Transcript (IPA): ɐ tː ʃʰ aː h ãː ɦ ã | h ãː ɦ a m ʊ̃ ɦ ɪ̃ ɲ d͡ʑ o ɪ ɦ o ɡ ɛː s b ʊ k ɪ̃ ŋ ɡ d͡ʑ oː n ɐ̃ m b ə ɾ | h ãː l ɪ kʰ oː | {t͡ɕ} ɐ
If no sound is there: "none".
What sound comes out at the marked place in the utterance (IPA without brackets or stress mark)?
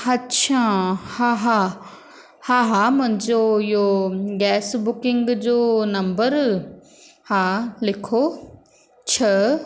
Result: t͡ɕʰ